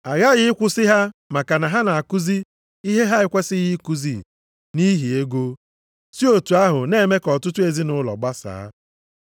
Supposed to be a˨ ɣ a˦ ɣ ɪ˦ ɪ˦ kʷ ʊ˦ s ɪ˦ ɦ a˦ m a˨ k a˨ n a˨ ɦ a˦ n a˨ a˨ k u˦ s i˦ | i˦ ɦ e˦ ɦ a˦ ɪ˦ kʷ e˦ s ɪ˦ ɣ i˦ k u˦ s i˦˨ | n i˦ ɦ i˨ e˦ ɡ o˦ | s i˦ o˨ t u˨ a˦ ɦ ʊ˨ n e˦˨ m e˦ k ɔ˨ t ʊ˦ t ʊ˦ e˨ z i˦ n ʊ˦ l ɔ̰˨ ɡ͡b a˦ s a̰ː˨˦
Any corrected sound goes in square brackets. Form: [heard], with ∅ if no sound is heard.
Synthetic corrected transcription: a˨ ɣ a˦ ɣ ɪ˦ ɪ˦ kʷ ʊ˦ s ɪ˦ ɦ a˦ m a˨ k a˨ n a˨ ɦ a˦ n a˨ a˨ k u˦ [z] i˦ | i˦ ɦ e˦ ɦ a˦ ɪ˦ kʷ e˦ s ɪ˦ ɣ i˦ k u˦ [z] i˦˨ | n i˦ ɦ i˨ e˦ ɡ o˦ | s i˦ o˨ t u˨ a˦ ɦ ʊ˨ n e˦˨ m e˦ k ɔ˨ t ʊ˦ t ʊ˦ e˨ z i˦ n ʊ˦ l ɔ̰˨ ɡ͡b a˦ s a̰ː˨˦